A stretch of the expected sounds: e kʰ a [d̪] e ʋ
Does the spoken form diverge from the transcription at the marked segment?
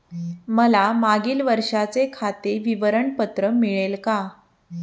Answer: yes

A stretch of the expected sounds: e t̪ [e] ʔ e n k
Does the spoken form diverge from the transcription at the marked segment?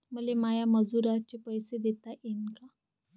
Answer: yes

